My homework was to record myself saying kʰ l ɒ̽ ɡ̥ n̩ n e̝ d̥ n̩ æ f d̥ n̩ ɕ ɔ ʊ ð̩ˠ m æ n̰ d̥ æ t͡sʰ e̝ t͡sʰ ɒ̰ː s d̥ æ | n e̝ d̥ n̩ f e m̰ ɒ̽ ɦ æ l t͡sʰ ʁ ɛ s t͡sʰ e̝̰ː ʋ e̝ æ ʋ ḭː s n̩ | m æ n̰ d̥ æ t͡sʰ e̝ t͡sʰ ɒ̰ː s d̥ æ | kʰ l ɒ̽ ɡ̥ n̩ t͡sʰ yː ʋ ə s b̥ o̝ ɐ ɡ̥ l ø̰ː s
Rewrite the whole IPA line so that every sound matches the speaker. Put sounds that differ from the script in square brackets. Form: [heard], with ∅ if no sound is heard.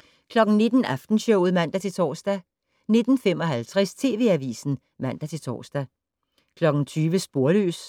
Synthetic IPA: kʰ l ɒ̽ ɡ̥ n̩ n e̝ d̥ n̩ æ f d̥ n̩ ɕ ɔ ʊ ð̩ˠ m æ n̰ d̥ æ t͡sʰ e̝ t͡sʰ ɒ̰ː s d̥ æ | n e̝ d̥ n̩ f e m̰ ɒ̽ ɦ æ l t͡sʰ ʁ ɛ s t͡sʰ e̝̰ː ʋ e̝ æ ʋ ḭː s n̩ | m æ n̰ d̥ æ t͡sʰ e̝ t͡sʰ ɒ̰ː s d̥ æ | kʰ l ɒ̽ ɡ̥ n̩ t͡sʰ yː ʋ ə s b̥ o̝ ɐ [∅] l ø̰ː s